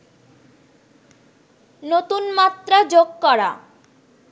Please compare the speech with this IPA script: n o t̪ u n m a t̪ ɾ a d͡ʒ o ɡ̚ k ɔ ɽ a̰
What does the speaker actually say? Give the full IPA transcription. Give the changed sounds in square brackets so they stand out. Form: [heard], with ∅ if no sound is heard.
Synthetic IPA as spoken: n o t̪ u n m a t̪ ɾ a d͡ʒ o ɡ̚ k ɔ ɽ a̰